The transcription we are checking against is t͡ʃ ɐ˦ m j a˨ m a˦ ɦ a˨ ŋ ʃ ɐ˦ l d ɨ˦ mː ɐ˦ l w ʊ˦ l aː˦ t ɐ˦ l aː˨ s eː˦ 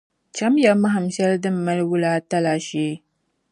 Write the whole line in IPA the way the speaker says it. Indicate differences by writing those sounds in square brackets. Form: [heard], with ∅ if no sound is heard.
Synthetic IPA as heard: t͡ʃ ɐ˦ m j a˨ m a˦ ɦ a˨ [m] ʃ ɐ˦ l d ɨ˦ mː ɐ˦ l w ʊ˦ l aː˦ t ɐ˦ l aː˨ [ʃ] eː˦